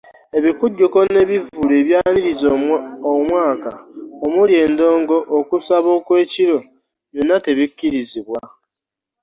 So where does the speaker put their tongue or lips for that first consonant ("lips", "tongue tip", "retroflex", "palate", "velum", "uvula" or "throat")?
lips